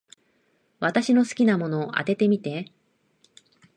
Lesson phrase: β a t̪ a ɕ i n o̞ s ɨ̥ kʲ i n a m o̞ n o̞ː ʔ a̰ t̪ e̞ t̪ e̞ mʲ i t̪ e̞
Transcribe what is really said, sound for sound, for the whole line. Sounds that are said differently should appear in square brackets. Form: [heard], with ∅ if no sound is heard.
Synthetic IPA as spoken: β a t̪ a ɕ i n o̞ s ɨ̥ kʲ i n a m o̞ n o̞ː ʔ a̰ t̪ e̞ t̪ e̞ mʲ i t̪ e̞

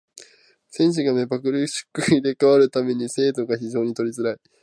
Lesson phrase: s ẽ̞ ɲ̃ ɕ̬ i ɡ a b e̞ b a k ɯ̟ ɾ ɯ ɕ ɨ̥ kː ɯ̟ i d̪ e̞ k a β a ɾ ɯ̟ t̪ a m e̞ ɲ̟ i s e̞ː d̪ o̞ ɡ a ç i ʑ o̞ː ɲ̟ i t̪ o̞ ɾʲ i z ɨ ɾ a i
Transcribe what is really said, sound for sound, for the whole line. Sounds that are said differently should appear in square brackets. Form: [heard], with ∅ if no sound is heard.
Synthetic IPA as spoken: s ẽ̞ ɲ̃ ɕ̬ i ɡ a [m] e̞ b a k ɯ̟ ɾ ɯ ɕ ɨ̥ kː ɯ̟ i d̪ e̞ k a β a ɾ ɯ̟ t̪ a m e̞ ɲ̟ i s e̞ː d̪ o̞ ɡ a ç i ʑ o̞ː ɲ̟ i t̪ o̞ ɾʲ i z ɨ ɾ a i

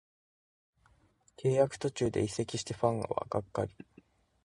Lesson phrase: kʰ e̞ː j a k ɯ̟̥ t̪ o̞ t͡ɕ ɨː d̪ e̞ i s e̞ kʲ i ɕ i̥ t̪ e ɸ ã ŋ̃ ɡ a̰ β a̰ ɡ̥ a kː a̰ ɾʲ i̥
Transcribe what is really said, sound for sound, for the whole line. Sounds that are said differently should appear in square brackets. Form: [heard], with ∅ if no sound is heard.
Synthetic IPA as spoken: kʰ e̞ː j a k ɯ̟̥ t̪ o̞ t͡ɕ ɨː d̪ e̞ i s e̞ kʲ i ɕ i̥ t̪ e ɸ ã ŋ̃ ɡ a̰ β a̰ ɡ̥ a kː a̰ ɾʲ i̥

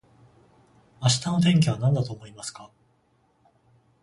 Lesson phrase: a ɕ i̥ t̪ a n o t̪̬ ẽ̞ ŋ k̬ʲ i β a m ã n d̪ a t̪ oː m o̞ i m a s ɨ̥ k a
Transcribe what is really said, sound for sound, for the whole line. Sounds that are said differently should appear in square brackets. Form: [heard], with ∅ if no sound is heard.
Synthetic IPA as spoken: a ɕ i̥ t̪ a n o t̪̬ ẽ̞ ŋ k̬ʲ i β a [n] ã n d̪ a t̪ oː m o̞ i m a s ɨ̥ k a

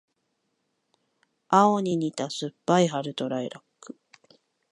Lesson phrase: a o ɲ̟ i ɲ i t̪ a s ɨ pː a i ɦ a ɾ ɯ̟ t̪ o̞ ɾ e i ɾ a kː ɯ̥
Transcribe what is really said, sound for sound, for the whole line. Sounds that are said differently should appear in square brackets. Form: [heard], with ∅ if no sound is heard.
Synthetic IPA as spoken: a o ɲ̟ i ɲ i t̪ a s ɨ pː a i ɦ a ɾ ɯ̟ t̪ o̞ ɾ [a] i ɾ a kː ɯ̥

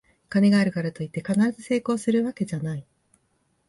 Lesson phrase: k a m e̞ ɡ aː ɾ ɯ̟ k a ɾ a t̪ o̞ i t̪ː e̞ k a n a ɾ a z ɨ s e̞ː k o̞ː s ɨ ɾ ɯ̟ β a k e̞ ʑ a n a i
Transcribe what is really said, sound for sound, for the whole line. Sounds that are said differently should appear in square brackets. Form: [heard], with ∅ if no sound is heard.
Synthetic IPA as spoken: k a [n] e̞ ɡ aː ɾ ɯ̟ k a ɾ a t̪ o̞ i t̪ː e̞ k a n a ɾ a z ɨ s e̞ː k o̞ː s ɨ ɾ ɯ̟ β a k e̞ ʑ a n a i

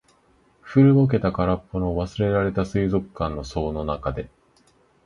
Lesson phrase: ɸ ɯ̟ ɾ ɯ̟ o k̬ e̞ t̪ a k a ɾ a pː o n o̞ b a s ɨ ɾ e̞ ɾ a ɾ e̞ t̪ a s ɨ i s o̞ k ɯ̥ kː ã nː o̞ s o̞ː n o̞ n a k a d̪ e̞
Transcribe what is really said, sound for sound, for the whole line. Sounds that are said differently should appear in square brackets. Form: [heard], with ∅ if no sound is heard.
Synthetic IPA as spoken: ɸ ɯ̟ ɾ ɯ̟ o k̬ e̞ t̪ a k a ɾ a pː o n o̞ [β] a s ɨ ɾ e̞ ɾ a ɾ e̞ t̪ a s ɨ i [z] o̞ k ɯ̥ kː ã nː o̞ s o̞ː n o̞ n a k a d̪ e̞

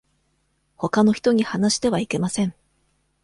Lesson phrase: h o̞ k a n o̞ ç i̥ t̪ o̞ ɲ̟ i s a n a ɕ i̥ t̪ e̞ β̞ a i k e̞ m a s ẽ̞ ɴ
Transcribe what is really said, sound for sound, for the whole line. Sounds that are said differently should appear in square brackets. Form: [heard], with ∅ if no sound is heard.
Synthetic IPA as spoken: h o̞ k a n o̞ ç i̥ t̪ o̞ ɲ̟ i [h] a n a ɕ i̥ t̪ e̞ β̞ a i k e̞ m a s ẽ̞ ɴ

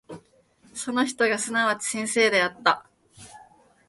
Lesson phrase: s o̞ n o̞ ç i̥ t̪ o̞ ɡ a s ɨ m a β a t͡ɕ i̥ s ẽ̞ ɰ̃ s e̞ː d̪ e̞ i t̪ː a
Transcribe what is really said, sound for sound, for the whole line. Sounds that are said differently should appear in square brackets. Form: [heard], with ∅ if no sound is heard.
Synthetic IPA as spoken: s o̞ n o̞ ç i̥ t̪ o̞ ɡ a s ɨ [n] a β a t͡ɕ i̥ s ẽ̞ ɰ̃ s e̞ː d̪ e̞ [a] t̪ː a

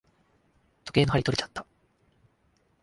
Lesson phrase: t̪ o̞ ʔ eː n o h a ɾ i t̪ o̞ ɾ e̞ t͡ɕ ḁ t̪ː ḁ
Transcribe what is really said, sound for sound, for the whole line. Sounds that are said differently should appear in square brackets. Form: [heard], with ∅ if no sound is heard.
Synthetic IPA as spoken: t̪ o̞ [k] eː n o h a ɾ i t̪ o̞ ɾ e̞ t͡ɕ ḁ t̪ː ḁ

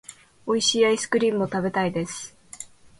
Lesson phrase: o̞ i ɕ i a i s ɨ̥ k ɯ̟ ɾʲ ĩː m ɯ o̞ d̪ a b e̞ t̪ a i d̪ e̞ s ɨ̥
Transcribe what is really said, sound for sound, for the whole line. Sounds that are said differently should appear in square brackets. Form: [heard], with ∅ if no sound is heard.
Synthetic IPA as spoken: o̞ i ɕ i a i s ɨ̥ k ɯ̟ ɾʲ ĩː m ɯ o̞ [t̪] a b e̞ t̪ a i d̪ e̞ s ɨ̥

